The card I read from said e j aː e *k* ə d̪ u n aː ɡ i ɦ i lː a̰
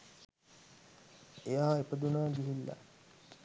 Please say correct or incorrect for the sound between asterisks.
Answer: incorrect